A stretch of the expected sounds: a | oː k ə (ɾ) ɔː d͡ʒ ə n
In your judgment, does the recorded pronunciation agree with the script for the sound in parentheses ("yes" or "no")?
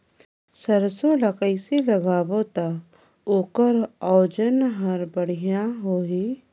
yes